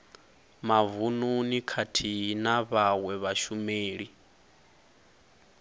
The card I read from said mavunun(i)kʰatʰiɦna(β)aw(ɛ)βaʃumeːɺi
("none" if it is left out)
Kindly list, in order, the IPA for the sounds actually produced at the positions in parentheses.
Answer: i, β, ɛ

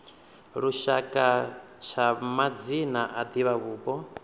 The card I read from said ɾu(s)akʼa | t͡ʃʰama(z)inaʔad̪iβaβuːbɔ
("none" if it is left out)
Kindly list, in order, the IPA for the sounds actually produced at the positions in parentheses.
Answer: ʃ, d͡z

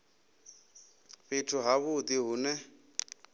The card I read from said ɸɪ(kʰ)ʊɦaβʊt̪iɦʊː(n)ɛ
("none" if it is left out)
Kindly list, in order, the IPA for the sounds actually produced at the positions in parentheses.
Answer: tʰ, n

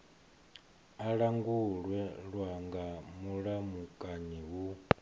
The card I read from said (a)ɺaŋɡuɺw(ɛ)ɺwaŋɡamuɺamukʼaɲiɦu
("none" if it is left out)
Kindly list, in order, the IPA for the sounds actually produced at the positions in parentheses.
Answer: a, ɛ

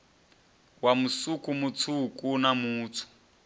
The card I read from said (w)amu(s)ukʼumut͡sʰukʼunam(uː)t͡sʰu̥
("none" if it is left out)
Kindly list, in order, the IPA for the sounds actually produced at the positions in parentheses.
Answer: w, s, uː

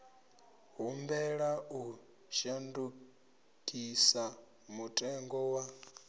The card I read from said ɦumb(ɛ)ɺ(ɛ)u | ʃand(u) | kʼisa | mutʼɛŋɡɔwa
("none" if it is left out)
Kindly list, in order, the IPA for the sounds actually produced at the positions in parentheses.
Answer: ɛ, a, u

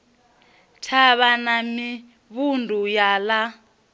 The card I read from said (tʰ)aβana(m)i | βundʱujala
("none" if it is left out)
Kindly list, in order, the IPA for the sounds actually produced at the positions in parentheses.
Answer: tʰ, m

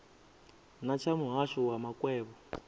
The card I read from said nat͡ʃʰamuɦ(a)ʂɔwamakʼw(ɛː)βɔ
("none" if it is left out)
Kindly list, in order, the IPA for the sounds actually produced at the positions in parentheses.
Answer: a, ɛː

